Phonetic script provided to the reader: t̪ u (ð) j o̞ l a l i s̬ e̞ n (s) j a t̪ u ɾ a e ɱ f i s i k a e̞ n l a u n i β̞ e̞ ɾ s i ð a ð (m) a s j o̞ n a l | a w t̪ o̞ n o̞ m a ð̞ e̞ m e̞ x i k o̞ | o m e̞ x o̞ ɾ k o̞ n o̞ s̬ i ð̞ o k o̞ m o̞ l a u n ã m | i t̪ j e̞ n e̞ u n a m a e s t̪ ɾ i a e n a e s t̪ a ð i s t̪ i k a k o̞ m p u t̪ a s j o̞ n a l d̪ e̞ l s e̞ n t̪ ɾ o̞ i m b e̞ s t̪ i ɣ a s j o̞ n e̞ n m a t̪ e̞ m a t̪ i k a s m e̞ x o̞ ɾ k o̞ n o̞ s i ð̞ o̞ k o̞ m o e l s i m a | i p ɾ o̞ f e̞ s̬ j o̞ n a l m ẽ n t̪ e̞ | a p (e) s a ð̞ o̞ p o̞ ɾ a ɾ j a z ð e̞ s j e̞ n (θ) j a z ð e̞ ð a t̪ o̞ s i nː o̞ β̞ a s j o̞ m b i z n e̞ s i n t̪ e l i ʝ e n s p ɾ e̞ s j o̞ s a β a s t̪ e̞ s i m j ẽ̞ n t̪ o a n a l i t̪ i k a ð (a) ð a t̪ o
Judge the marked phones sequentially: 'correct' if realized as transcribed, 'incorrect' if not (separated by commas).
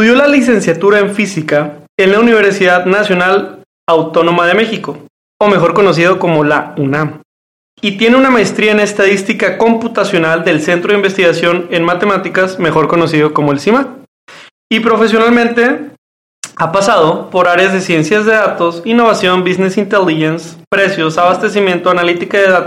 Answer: correct, correct, incorrect, incorrect, incorrect, incorrect